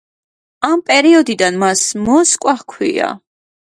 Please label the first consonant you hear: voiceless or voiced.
voiced